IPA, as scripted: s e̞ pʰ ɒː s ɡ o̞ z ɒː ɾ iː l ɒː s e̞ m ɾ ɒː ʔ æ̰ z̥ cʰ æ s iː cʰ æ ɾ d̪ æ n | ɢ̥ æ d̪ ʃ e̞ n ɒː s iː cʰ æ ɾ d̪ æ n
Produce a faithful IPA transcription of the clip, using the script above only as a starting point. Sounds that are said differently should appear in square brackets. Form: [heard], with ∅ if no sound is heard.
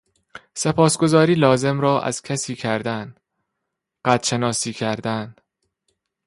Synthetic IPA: s e̞ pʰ ɒː s ɡ o̞ z ɒː ɾ iː l ɒː [z] e̞ m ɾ ɒː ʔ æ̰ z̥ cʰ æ s iː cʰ æ ɾ d̪ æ n | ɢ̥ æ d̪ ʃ e̞ n ɒː s iː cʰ æ ɾ d̪ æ n